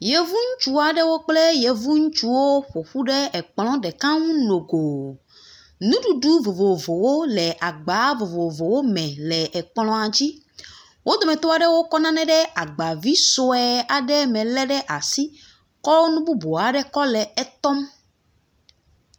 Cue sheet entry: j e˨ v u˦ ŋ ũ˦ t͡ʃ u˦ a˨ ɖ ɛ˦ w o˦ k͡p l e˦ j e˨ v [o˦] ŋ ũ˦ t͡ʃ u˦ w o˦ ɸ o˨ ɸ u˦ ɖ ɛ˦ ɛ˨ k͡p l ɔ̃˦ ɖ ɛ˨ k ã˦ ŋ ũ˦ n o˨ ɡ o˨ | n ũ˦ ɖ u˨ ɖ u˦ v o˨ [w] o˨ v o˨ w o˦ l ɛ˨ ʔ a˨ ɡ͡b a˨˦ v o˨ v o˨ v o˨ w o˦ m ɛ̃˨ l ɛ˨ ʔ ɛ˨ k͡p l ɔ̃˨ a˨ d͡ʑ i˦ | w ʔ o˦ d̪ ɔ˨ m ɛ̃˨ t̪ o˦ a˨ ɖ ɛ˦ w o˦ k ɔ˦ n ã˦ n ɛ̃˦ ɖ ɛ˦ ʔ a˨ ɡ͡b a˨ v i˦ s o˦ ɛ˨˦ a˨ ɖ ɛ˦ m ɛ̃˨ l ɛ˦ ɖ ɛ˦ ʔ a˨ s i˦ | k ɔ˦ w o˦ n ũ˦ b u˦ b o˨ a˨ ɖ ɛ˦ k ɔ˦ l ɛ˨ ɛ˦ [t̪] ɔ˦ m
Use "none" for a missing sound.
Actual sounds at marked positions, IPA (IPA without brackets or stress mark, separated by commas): u˦, v, t̪